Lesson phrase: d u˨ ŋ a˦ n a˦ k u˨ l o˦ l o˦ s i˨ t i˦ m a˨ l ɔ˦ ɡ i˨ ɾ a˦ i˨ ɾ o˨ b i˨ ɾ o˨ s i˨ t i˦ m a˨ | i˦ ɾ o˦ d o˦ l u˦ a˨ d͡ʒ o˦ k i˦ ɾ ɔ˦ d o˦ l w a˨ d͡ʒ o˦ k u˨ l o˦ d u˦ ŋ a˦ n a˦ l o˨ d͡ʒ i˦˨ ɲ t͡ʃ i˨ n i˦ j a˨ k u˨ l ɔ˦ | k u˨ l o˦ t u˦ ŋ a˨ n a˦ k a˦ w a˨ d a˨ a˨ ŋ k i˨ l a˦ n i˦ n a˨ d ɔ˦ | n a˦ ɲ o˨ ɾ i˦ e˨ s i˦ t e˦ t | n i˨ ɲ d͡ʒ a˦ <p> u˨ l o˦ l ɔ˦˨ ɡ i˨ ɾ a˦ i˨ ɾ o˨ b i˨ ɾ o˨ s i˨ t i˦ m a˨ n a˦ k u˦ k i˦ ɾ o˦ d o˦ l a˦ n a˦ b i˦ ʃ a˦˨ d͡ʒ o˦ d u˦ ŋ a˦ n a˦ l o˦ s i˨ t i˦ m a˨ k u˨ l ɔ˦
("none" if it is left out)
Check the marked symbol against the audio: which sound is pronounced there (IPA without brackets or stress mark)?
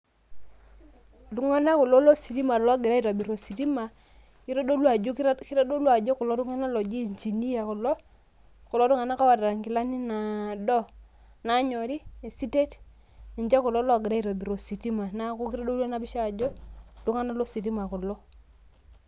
k